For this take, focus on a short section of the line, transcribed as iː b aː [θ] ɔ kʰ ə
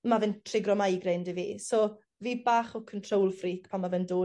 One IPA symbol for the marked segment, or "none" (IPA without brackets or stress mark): χ